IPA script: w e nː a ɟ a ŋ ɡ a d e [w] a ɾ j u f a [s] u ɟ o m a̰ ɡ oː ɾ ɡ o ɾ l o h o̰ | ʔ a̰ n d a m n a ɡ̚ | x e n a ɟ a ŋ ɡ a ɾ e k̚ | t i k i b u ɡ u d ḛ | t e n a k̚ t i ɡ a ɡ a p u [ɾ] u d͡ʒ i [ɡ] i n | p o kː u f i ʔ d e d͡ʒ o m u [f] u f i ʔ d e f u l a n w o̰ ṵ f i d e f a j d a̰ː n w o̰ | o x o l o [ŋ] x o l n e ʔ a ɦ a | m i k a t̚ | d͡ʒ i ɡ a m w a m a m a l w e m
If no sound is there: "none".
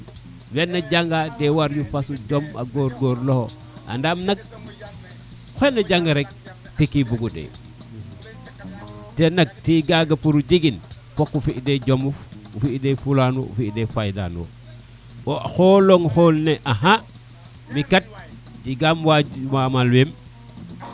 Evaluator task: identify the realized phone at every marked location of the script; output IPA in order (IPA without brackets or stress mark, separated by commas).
w, s, ɾ, ɡ, f, ŋ